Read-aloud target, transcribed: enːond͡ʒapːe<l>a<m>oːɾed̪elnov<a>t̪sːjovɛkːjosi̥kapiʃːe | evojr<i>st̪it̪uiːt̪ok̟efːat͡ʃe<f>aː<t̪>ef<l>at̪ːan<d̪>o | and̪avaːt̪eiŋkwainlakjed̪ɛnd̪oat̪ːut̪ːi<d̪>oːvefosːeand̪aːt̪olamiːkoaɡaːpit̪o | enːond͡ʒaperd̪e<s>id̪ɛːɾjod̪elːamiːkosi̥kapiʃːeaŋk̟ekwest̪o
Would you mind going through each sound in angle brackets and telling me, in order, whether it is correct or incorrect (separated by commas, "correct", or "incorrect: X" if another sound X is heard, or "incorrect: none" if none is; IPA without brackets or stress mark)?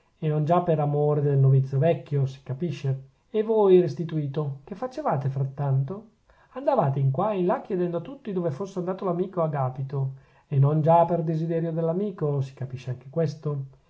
incorrect: ɾ, correct, incorrect: i, incorrect: e, incorrect: v, correct, incorrect: ɾ, incorrect: t̪, correct, incorrect: z